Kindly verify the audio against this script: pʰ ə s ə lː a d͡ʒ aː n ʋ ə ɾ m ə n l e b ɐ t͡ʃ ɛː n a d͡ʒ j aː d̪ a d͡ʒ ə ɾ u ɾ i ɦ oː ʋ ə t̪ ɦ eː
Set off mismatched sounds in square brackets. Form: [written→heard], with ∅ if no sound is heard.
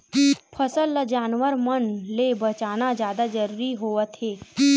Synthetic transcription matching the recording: pʰ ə s ə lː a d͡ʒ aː n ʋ ə ɾ m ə n l e b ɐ t͡ʃ [ɛː→aː] n a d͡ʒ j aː d̪ a d͡ʒ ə ɾ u ɾ i ɦ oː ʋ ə t̪ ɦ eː